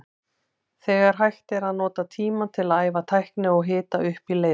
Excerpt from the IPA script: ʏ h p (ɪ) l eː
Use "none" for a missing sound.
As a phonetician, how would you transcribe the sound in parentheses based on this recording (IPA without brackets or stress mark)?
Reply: i